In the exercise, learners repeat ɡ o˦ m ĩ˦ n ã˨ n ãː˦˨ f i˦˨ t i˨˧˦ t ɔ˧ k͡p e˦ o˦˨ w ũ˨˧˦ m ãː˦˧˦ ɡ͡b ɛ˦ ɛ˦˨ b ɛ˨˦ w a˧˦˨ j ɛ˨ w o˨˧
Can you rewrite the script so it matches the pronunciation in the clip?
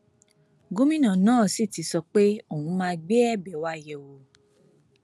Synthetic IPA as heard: ɡ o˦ m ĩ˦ n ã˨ n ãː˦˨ s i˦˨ t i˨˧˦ s ɔ˧ k͡p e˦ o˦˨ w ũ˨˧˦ m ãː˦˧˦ ɡ͡b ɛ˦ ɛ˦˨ b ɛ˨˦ w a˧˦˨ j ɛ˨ w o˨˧